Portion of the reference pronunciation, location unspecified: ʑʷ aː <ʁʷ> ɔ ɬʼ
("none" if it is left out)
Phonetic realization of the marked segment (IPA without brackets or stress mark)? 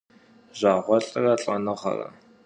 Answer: ʁʷ